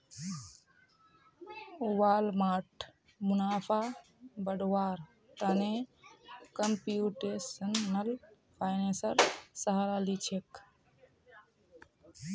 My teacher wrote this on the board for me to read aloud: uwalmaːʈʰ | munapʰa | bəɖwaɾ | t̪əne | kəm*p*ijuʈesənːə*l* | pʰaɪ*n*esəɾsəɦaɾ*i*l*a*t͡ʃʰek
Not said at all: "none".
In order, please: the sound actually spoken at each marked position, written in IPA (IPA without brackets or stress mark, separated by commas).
p, l, n, a, i